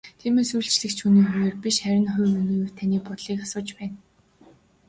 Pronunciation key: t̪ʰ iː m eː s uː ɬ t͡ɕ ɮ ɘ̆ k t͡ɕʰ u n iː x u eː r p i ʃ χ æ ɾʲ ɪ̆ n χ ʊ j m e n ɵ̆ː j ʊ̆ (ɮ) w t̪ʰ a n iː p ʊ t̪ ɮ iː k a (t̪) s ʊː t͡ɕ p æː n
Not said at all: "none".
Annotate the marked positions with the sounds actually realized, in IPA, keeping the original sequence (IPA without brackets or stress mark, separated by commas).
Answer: none, none